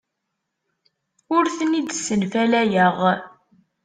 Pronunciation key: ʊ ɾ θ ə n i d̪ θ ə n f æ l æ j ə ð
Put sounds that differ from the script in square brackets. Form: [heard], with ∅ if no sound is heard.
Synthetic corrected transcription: ʊ ɾ θ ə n i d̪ [s] ə n f æ l æ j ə [ʁ]